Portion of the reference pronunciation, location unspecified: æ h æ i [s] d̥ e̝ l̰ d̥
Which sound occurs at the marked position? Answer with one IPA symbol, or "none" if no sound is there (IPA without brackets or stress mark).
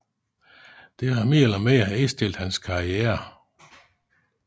s